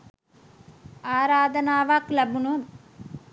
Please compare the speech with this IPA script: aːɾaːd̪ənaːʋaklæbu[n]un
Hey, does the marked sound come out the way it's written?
yes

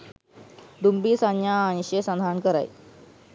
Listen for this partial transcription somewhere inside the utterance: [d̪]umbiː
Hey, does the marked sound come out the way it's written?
yes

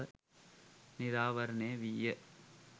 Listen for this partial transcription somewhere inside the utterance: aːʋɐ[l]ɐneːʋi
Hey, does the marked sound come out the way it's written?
no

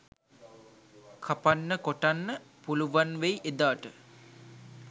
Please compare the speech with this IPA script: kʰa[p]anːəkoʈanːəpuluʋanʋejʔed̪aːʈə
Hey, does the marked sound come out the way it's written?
yes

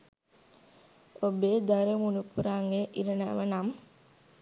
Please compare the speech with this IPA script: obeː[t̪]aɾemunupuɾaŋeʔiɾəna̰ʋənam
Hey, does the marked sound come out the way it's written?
no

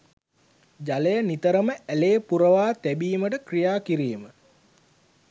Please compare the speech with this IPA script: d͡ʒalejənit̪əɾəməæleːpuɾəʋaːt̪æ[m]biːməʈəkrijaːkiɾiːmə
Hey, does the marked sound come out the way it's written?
no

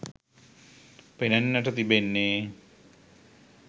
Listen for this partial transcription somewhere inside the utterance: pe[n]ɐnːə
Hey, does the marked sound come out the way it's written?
yes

